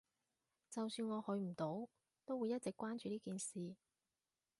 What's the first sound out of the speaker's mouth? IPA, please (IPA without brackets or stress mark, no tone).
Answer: t͡s